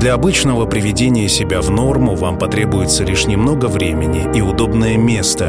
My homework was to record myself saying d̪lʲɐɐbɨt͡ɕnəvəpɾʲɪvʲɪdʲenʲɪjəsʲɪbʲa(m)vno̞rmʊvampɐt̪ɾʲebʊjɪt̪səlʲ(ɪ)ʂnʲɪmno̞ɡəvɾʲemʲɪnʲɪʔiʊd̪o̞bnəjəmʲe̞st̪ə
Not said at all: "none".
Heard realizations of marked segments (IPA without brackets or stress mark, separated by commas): none, i